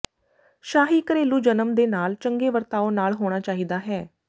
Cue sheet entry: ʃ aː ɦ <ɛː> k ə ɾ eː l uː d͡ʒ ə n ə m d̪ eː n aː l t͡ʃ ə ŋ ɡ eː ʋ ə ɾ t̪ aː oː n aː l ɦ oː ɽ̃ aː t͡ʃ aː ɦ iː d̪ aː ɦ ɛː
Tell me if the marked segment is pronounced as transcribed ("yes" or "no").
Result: no